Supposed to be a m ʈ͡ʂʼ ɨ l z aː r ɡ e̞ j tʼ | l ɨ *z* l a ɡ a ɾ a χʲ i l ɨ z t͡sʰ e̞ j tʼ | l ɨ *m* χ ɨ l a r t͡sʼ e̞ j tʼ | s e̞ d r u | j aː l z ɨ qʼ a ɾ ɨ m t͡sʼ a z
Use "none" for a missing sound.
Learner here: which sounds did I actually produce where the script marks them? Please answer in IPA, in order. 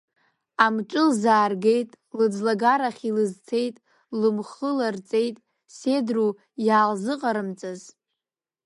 d͡z, m

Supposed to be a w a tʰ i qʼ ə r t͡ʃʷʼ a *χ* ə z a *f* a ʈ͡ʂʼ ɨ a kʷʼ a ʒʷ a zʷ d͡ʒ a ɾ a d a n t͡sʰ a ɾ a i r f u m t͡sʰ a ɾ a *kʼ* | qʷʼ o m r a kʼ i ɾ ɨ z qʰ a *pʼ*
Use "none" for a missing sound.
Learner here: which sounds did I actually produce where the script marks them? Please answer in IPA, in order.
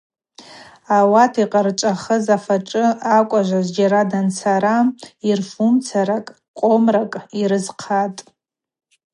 χ, f, kʼ, tʼ

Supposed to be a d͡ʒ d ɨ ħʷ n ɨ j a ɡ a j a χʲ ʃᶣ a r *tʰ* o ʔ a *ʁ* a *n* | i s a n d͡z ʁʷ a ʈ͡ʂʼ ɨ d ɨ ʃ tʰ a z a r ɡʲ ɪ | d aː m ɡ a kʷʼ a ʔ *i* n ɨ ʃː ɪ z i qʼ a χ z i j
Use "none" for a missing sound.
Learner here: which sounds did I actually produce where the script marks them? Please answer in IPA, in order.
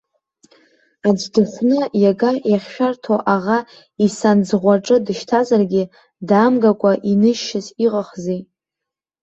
tʰ, ʁ, none, i

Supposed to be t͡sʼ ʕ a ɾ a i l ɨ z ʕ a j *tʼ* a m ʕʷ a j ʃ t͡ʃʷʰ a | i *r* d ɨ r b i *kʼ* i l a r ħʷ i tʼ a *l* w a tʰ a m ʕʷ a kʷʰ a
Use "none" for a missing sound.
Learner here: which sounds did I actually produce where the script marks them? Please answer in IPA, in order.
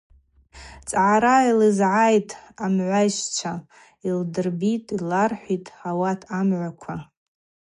tʼ, l, tʼ, none

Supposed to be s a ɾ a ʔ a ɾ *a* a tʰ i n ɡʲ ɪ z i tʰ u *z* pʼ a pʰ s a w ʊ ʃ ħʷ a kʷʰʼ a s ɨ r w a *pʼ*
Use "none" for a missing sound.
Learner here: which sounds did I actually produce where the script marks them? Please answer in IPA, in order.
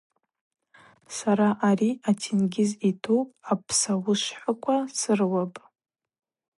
i, none, pʼ

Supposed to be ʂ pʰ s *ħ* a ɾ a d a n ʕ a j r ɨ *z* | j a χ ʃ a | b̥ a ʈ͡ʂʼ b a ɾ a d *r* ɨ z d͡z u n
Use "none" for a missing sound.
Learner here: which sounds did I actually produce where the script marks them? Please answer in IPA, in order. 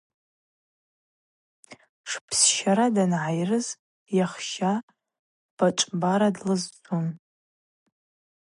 ʃ, z, l

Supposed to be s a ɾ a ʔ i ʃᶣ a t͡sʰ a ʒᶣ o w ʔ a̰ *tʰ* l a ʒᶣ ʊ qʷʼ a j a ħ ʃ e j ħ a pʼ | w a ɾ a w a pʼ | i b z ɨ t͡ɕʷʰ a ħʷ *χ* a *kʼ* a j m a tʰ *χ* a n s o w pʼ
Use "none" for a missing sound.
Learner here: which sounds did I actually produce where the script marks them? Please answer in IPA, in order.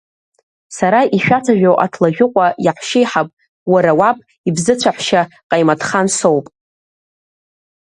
tʰ, ʃ, qʼ, χ

